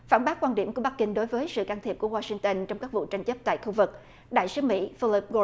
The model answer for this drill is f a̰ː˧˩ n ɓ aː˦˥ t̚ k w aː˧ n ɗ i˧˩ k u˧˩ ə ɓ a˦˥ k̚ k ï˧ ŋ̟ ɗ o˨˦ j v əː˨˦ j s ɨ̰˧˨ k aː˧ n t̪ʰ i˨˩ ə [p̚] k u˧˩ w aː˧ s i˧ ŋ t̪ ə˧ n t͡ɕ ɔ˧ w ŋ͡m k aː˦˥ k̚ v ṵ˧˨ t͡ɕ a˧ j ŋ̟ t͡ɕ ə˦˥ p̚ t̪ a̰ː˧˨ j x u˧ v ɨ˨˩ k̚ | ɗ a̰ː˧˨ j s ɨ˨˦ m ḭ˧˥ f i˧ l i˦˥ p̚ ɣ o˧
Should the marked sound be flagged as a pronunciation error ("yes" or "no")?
no